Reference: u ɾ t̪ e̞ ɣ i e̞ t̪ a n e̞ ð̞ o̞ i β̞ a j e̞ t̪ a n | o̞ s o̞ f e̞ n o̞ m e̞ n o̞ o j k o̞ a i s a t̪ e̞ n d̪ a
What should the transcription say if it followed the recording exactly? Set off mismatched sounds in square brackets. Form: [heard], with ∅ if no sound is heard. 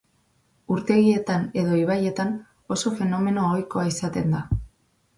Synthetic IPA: u ɾ t̪ e̞ ɣ i e̞ t̪ a n e̞ ð̞ o̞ i β̞ a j e̞ t̪ a n | o̞ s o̞ f e̞ n o̞ m e̞ n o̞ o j k o̞ a i s a t̪ e̞ n d̪ a

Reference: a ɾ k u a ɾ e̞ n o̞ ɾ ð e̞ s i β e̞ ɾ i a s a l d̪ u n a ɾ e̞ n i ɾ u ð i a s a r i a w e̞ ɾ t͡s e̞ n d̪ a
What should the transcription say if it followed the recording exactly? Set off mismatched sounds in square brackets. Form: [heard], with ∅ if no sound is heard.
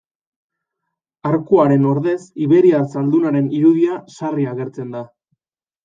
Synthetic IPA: a ɾ k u a ɾ e̞ n o̞ ɾ ð e̞ s i β e̞ ɾ i a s a l d̪ u n a ɾ e̞ n i ɾ u ð i a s a r i a [ɣ] e̞ ɾ t͡s e̞ n d̪ a

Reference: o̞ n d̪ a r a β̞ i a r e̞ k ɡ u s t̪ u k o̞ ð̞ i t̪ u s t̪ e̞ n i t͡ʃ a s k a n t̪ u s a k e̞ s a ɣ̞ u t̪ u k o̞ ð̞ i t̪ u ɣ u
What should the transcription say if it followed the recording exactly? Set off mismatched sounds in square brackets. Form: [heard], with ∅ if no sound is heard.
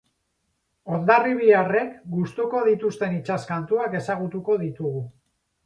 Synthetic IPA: o̞ n d̪ a r [i] β̞ i a r e̞ k ɡ u s t̪ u k o̞ ð̞ i t̪ u s t̪ e̞ n i t͡ʃ a s k a n t̪ u [∅] a k e̞ s a ɣ̞ u t̪ u k o̞ ð̞ i t̪ u ɣ u

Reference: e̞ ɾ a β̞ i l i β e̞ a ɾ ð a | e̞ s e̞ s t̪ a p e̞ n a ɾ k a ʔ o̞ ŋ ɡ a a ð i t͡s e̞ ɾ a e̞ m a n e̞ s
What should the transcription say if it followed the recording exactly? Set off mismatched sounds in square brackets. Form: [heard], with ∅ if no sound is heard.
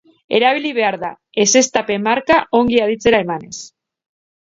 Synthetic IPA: e̞ ɾ a β̞ i l i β e̞ a ɾ ð a | e̞ s e̞ s t̪ a p e̞ [m] a ɾ k a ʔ o̞ ŋ ɡ [i] a ð i t͡s e̞ ɾ a e̞ m a n e̞ s

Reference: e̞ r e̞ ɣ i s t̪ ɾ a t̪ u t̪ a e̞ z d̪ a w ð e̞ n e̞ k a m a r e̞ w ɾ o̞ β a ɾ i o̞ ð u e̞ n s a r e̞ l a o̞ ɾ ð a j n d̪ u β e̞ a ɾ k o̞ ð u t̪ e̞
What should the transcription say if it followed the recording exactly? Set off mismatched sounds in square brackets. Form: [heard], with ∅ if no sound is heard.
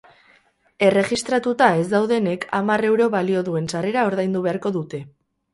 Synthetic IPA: e̞ r e̞ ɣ i s t̪ ɾ a t̪ u t̪ a e̞ z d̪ a w ð e̞ n e̞ k a m a r e̞ w ɾ o̞ β a [l] i o̞ ð u e̞ n s a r e̞ [ɾ] a o̞ ɾ ð a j n d̪ u β e̞ a ɾ k o̞ ð u t̪ e̞

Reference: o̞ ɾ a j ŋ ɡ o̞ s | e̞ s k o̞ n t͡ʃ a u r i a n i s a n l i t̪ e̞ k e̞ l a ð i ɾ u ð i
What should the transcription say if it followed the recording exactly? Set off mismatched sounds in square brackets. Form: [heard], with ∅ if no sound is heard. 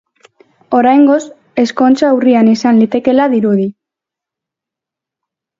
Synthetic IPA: o̞ ɾ a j ŋ ɡ o̞ s | e̞ s k o̞ n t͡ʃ a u r i a n i s a n l i t̪ e̞ k e̞ l a ð i ɾ u ð i

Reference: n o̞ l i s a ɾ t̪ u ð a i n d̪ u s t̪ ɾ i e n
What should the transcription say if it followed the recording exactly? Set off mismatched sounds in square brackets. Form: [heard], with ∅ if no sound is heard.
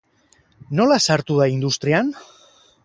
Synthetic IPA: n o̞ l [a] s a ɾ t̪ u ð a i n d̪ u s t̪ ɾ i [a] n

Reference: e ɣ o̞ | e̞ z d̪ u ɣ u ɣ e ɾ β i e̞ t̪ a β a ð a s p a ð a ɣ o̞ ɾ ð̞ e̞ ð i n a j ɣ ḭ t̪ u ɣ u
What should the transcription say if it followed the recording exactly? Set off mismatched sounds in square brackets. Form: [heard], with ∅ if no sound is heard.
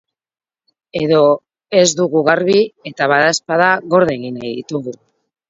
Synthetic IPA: e [ð] o̞ | e̞ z d̪ u ɣ u ɣ [a] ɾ β i e̞ t̪ a β a ð a s p a ð a ɣ o̞ ɾ ð̞ e̞ [ɣ] i n a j [ð] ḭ t̪ u ɣ u

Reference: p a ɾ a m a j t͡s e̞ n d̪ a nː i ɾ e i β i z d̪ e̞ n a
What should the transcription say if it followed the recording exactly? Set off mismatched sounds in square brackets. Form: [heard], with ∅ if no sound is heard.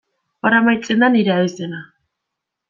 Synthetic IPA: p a ɾ a m a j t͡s e̞ n d̪ a [n] i ɾ e [a] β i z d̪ e̞ n a

